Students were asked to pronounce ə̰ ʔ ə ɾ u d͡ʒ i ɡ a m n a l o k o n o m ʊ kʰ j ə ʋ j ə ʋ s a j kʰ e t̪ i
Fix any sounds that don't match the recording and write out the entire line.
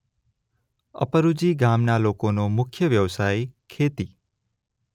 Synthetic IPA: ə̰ p ə ɾ u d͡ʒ i ɡ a m n a l o k o n o m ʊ kʰ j ə ʋ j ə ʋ s a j kʰ e t̪ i